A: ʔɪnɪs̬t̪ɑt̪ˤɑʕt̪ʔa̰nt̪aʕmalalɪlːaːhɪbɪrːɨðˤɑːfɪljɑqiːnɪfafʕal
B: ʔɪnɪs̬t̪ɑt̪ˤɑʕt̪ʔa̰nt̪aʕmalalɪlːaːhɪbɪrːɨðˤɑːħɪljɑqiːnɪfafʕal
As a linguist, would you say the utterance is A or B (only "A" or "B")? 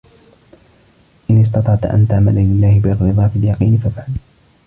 A